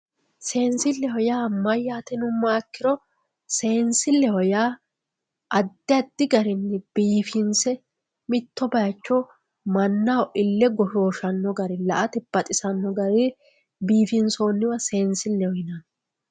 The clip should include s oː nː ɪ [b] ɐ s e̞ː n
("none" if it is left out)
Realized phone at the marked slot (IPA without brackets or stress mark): w